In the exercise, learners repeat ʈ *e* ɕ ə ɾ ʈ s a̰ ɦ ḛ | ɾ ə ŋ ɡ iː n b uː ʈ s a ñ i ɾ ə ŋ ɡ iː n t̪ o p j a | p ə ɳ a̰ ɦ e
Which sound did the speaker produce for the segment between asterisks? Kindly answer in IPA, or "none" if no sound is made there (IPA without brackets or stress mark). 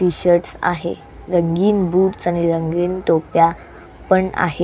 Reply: i